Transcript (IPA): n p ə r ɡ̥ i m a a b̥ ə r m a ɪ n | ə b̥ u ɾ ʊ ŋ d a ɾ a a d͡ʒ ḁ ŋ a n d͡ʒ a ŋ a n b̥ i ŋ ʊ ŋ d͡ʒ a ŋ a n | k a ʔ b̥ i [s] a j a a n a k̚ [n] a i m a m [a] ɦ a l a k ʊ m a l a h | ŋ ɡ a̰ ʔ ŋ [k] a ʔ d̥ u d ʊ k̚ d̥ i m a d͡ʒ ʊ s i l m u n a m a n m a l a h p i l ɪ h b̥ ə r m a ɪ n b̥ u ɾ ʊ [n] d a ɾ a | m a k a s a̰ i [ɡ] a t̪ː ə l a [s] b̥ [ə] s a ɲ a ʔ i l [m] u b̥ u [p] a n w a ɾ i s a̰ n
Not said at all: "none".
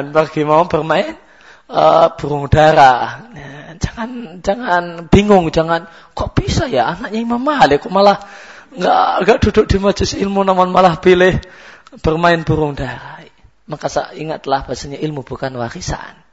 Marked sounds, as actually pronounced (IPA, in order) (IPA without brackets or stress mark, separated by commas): s, ɲ, a, ɡ, ŋ, ŋ, h, a, m, k